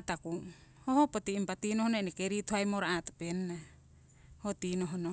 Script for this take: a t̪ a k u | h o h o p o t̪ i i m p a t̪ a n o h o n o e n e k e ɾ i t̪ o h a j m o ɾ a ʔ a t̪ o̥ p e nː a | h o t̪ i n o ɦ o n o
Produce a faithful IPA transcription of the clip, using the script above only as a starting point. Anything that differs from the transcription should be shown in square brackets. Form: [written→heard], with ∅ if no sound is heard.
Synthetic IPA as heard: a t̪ a k u | h o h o p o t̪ i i m p a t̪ [a→i] n o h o n o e n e k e ɾ i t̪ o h a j m o ɾ a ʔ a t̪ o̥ p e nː a | h o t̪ i n o ɦ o n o